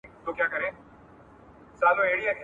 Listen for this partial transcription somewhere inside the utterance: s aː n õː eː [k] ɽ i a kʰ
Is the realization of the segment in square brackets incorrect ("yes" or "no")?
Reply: yes